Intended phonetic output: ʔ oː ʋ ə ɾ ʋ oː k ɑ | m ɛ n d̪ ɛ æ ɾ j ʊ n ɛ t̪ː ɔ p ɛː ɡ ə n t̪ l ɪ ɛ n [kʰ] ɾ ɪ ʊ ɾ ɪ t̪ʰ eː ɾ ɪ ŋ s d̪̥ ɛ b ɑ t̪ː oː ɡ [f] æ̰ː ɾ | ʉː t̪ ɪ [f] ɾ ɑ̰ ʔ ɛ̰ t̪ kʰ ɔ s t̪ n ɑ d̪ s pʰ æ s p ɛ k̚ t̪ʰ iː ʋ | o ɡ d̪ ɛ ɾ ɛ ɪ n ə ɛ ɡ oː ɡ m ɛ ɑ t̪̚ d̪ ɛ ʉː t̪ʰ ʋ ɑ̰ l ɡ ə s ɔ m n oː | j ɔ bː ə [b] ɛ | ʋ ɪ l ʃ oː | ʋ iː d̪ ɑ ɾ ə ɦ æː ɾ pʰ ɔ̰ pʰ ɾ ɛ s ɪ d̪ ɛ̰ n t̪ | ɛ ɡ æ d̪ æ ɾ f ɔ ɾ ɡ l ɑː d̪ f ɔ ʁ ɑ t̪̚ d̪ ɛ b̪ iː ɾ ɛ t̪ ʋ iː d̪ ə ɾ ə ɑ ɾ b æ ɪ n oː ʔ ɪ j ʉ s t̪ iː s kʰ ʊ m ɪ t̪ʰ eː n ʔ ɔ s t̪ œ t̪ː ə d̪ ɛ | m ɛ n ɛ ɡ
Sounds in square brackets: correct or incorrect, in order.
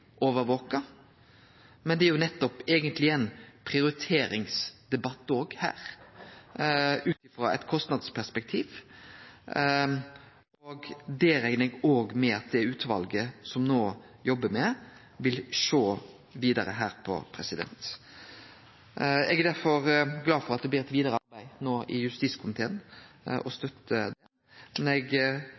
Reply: incorrect: pʰ, incorrect: h, correct, incorrect: m

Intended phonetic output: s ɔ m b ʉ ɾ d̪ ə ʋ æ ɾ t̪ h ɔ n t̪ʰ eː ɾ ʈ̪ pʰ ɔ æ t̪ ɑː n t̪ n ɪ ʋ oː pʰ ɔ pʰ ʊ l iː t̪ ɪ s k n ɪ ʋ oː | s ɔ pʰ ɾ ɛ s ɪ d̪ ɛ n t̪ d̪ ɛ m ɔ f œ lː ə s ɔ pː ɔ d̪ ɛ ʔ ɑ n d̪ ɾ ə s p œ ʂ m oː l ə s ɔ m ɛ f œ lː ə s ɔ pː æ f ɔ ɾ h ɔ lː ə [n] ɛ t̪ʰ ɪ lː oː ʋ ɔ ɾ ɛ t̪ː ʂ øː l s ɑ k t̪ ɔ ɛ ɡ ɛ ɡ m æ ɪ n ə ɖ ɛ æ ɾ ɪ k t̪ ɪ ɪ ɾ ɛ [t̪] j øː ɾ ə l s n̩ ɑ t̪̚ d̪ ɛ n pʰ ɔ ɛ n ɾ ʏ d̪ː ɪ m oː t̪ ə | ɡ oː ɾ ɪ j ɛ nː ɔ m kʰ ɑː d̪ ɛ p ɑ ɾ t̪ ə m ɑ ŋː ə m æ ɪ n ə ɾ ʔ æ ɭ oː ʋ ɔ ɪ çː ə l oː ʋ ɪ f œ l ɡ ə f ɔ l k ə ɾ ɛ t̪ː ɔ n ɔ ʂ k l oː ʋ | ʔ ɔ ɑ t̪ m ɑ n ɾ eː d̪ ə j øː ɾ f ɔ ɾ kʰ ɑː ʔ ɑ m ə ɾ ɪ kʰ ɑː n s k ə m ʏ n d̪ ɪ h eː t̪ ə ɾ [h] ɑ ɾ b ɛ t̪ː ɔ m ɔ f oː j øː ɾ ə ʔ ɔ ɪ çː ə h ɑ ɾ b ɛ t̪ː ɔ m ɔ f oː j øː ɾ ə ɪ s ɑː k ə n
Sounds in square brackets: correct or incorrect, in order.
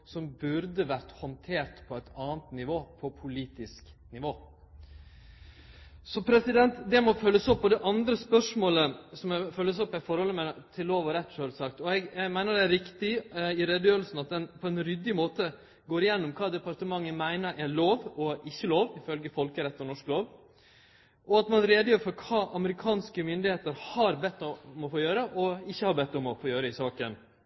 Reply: incorrect: m, incorrect: d̪, correct

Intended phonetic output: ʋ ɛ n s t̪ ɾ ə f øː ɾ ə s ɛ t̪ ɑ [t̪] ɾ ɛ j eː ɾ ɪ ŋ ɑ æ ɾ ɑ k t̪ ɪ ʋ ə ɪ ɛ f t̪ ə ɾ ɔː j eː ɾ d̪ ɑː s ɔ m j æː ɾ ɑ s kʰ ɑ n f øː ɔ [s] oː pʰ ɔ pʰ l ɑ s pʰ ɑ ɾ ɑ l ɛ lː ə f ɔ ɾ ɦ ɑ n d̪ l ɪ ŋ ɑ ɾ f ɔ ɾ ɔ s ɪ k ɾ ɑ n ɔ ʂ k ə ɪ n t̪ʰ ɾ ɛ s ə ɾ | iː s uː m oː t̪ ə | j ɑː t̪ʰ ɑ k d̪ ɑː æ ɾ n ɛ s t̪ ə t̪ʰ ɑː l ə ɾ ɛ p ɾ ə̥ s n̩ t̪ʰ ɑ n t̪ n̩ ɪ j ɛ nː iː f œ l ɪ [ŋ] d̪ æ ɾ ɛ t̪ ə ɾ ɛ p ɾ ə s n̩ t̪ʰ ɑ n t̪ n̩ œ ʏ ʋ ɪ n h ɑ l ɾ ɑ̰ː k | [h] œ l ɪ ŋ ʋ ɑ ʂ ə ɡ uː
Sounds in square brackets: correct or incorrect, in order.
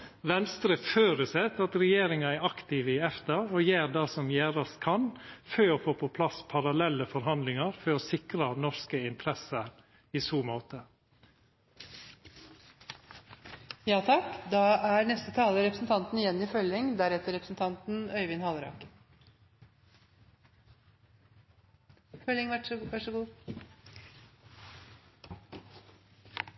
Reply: correct, incorrect: f, correct, incorrect: f

